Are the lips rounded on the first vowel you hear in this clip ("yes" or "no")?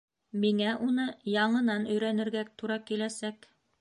no